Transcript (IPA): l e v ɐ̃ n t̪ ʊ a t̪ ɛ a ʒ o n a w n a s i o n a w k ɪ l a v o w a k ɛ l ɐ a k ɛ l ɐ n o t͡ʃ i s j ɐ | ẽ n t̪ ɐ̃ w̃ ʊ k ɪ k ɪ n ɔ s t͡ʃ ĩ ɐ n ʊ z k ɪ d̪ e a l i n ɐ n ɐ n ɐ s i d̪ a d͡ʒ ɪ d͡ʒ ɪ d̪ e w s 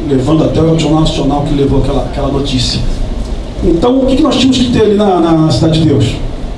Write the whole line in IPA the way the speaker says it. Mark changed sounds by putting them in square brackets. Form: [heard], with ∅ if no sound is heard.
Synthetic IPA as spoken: l e v ɐ̃ n [d̪] ʊ a t̪ ɛ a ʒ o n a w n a s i o n a w k ɪ l [e] v o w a k ɛ l ɐ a k ɛ l ɐ n o t͡ʃ i s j ɐ | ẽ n t̪ ɐ̃ w̃ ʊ k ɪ k ɪ n ɔ s t͡ʃ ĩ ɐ [m] ʊ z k ɪ [t̪] e a l i n ɐ n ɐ n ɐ s i d̪ a d͡ʒ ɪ d͡ʒ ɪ d̪ e w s